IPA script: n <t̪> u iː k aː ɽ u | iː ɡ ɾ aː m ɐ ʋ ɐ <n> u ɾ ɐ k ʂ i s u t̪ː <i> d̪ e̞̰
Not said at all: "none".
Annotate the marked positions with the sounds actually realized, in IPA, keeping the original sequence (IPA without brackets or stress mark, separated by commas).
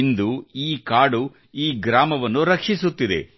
d̪, nː, i